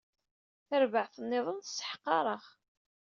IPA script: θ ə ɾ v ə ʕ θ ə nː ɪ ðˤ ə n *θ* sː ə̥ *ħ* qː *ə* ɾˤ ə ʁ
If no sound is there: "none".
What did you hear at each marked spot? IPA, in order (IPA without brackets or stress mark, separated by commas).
θ, ħ, ɑ